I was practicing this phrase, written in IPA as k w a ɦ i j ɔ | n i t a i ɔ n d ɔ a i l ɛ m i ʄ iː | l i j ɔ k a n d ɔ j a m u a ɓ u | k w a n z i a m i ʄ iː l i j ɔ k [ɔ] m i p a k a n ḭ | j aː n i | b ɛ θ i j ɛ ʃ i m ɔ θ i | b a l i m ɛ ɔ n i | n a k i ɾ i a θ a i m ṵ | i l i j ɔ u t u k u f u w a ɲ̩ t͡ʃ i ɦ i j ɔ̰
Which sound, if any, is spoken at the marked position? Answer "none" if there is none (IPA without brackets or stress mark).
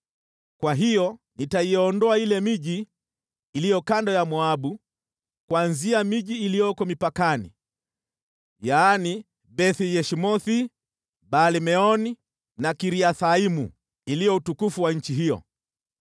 ɔ